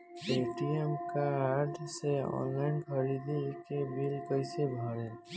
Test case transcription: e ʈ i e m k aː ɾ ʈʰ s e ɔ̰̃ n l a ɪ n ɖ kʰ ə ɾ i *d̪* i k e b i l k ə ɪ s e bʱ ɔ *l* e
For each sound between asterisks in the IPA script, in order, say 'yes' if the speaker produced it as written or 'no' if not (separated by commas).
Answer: yes, no